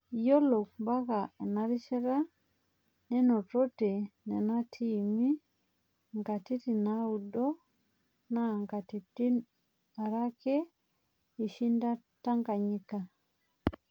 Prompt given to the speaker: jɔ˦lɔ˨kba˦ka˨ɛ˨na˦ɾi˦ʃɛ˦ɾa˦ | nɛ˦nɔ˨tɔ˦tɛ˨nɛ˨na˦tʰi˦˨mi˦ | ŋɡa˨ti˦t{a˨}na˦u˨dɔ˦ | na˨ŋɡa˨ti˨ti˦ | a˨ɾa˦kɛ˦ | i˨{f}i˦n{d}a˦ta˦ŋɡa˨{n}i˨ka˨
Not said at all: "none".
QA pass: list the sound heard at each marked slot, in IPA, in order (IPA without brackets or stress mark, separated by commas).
i˨, ʃ, d, ɲ